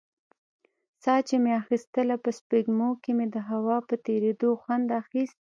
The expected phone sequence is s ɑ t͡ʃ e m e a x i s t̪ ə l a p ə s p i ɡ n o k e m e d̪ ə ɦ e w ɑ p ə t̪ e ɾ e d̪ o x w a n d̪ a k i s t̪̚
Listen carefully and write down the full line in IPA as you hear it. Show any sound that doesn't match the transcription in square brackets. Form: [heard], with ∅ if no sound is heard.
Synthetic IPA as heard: s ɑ t͡ʃ e m e a x i s t̪ ə l a p ə s p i ɡ [m] o k e m e d̪ ə ɦ [a] w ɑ p ə t̪ e ɾ e d̪ o x w a n d̪ a [x] i s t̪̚